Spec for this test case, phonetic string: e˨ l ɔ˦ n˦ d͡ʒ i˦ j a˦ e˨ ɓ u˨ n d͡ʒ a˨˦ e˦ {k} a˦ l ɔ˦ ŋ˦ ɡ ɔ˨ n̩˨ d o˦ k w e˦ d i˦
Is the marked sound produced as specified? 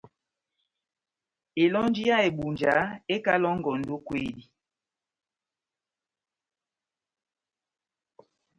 yes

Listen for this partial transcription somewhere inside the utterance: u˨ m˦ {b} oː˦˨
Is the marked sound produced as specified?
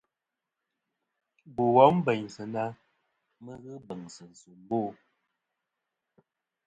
yes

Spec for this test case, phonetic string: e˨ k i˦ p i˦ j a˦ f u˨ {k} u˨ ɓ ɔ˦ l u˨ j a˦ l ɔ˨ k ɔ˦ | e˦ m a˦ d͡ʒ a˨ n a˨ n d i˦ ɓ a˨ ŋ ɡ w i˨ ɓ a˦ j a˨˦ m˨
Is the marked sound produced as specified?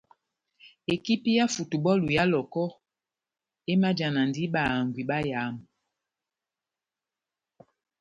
no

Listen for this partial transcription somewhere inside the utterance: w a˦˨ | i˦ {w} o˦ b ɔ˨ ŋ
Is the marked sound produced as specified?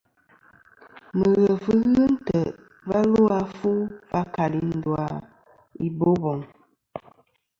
no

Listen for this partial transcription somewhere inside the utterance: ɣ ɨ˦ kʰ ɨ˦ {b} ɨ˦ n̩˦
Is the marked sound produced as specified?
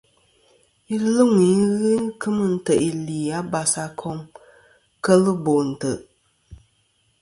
no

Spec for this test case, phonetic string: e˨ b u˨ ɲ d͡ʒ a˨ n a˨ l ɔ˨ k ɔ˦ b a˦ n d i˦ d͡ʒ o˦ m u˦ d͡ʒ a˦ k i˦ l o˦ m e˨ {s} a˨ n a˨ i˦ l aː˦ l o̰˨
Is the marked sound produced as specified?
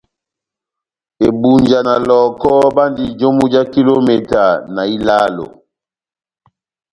no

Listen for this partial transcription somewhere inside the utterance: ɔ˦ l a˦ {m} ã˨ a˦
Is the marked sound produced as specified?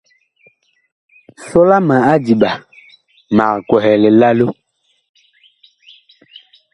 yes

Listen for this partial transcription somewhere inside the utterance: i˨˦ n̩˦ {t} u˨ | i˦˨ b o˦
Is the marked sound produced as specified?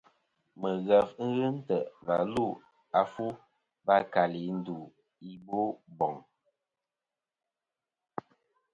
no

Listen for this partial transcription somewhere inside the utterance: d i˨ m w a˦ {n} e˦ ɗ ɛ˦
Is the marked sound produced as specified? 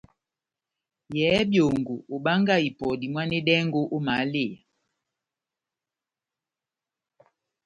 yes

